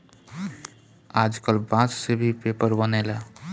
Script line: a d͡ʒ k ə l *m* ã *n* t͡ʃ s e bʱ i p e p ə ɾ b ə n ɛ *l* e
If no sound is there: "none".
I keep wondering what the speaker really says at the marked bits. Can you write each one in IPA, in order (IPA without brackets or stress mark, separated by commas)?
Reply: b, none, l